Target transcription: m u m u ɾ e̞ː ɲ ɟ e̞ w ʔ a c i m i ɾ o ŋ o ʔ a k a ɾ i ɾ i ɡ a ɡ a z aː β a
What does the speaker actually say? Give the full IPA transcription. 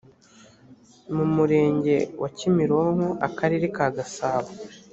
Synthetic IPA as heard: m u m u ɾ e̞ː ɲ ɟ e̞ w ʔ a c i m i ɾ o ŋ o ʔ a k a ɾ i ɾ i k a ɡ a s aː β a